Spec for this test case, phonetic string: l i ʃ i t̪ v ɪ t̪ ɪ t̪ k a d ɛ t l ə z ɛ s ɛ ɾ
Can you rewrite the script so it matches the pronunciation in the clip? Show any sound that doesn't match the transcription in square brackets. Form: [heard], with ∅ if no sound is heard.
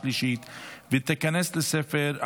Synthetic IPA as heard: l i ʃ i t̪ v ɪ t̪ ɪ [∅] k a [n] ɛ [s] l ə [s] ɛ [f] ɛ ɾ